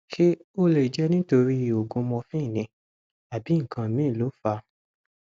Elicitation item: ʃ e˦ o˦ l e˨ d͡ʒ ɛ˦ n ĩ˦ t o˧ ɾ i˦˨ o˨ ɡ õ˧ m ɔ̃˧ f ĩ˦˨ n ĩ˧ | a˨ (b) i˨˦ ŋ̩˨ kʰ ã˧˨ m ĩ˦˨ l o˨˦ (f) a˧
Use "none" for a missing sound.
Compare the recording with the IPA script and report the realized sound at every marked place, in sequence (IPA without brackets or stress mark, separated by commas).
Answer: b, f